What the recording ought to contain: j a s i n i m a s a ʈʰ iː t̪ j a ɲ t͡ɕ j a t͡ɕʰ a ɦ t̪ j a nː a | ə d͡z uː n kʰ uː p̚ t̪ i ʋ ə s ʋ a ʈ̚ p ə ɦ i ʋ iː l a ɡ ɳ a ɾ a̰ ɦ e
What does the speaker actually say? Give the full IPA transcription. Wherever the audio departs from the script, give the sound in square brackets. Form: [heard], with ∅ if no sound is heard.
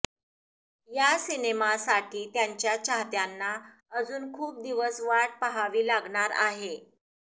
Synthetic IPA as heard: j a s i n [e] m a s a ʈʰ iː t̪ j a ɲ t͡ɕ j a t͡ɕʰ a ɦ t̪ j a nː a | ə d͡z uː n kʰ uː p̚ [d̪] i ʋ ə s ʋ a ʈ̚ p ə ɦ [a] ʋ iː l a ɡ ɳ a ɾ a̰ ɦ e